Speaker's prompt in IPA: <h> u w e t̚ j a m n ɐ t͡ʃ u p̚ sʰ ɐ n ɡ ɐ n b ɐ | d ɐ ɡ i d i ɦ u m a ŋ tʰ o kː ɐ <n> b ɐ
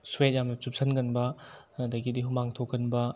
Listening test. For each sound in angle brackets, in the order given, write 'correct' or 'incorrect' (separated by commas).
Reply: incorrect, correct